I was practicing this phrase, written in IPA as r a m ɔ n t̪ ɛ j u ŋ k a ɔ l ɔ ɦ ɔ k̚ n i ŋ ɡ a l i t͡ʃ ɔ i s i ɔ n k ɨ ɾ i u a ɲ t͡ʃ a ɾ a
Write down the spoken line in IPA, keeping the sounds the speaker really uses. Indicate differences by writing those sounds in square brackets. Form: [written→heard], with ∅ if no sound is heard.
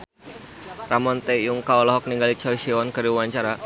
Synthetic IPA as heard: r a m ɔ n t̪ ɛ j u ŋ k a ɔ l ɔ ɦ ɔ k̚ n i ŋ ɡ a l i t͡ʃ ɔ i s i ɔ n k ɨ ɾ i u a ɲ t͡ʃ a ɾ a